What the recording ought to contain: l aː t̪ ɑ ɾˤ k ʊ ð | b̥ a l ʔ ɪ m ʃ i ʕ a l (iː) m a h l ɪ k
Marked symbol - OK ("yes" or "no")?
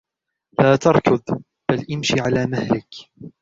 no